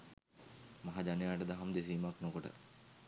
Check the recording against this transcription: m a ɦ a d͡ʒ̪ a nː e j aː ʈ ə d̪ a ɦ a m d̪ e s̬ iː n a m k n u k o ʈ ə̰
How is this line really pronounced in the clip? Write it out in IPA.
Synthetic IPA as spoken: m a ɦ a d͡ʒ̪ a n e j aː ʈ ə d̪ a ɦ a m d̪ e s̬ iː m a k n o k o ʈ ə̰

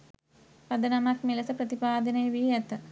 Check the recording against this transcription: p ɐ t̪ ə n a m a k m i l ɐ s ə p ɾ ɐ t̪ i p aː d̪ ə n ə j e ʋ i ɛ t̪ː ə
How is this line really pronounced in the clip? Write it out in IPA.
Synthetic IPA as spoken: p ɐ d̪ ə n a m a k m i l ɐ s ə p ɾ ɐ t̪ i p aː d̪ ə n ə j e ʋ i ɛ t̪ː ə

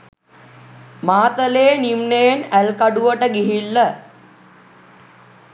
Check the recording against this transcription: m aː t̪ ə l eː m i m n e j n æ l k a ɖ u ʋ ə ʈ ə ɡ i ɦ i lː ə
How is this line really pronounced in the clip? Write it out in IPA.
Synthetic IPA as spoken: m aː t̪ ə l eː n i m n e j n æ l k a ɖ u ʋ ə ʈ ə ɡ i ɦ i lː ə

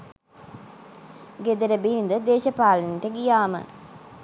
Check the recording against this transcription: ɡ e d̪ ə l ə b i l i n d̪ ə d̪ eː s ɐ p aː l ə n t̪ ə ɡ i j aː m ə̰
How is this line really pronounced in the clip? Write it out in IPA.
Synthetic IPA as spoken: ɡ e d̪ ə ɾ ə b i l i n d̪ ə d̪ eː ʃ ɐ p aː l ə n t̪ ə ɡ i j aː m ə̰

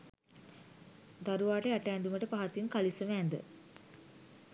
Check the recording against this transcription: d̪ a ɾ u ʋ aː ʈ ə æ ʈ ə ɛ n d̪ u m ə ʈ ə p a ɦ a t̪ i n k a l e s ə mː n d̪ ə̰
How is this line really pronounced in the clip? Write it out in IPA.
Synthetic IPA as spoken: d̪ a ɾ u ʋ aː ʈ ə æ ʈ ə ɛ n d̪ u m ə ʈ ə p a ɦ a t̪ i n k a l i s ə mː n d̪ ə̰

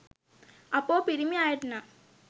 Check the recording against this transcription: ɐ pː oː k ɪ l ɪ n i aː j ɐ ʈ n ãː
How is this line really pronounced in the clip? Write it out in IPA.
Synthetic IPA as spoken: ɐ pː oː p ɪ ɾ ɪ m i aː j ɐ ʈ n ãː

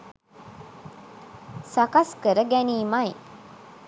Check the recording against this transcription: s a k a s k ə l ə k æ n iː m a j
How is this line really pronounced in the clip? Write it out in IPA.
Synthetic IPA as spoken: s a k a s k ə ɾ ə ɡ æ n iː m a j

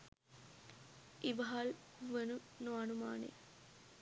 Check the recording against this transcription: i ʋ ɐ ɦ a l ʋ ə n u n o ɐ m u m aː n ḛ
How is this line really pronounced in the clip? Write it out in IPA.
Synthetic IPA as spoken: i ʋ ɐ ɦ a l ʋ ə n u n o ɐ n u m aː n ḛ

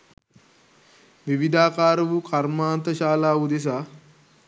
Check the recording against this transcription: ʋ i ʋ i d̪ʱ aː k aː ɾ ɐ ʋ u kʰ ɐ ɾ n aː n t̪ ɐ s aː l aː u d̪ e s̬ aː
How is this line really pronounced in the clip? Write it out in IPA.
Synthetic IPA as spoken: ʋ i ʋ i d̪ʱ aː k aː ɾ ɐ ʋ u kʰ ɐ ɾ m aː n t̪ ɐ ʃ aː l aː u d̪ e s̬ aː

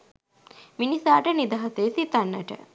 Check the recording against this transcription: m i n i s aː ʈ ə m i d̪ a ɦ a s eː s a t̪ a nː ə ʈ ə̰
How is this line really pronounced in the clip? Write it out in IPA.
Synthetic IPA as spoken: m i n i s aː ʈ ə n i d̪ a ɦ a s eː s i t̪ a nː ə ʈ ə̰

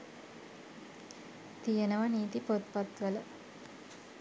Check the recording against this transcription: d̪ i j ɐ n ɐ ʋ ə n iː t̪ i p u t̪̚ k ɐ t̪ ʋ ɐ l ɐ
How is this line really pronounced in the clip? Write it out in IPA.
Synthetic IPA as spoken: t̪ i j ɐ n ɐ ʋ ɐ n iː t̪ i p o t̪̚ p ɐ t̪ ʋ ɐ l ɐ

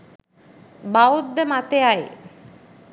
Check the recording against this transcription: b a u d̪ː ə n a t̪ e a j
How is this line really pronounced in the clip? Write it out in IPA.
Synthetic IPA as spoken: b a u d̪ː ə m a t̪ e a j

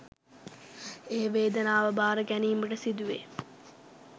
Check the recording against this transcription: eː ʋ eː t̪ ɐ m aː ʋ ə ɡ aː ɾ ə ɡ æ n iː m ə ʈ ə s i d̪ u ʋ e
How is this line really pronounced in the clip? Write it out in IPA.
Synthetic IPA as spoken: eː ʋ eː d̪ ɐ n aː ʋ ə b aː ɾ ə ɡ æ n iː m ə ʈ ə s i d̪ u ʋ e

